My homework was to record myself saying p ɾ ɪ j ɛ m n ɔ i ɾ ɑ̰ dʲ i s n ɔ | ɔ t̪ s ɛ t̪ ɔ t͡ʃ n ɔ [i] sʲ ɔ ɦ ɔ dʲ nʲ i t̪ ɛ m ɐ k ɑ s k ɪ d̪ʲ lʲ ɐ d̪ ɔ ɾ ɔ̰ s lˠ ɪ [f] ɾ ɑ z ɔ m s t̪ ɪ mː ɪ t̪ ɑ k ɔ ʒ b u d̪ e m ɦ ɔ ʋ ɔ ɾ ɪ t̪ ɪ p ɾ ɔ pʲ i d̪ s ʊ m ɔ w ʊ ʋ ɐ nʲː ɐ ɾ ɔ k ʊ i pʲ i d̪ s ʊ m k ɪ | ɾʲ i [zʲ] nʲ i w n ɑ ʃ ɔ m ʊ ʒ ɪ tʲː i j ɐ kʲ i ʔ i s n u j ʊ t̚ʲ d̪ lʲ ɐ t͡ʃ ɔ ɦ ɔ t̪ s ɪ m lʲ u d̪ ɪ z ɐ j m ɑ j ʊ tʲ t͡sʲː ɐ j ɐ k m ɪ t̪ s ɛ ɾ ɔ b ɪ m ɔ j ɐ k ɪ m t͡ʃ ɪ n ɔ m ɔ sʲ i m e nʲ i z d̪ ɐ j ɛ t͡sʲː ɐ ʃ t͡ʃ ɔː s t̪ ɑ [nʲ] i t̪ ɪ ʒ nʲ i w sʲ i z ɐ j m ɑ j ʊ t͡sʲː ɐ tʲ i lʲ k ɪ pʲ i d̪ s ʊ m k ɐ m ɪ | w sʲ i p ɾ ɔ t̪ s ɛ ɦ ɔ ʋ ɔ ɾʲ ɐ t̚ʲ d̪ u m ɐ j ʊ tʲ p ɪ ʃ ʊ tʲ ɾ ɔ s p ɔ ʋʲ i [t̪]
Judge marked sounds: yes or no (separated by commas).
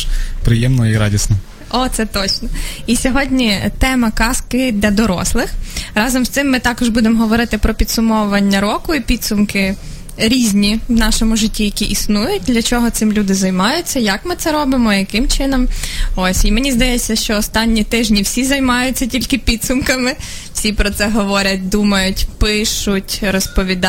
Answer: yes, no, yes, no, no